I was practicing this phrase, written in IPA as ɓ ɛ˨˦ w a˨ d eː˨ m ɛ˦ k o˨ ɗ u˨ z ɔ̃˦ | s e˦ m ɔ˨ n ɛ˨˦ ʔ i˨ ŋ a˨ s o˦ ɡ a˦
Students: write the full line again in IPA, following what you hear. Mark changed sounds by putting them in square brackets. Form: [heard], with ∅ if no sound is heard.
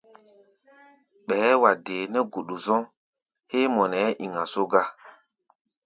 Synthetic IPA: ɓ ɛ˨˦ w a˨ d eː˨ [n] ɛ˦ [ɡ] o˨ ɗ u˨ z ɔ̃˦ | [h] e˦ m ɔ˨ n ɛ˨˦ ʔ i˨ ŋ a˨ s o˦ ɡ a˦